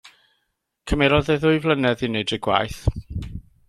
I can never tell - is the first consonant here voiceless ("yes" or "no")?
yes